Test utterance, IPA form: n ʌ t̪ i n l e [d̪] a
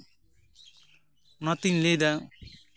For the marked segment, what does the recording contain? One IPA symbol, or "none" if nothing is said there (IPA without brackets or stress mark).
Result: d̪